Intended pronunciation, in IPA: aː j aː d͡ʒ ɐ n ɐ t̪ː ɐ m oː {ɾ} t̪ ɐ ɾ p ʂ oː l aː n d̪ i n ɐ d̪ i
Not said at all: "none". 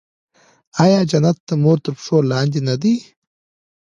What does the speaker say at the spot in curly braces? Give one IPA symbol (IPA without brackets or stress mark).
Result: ɾ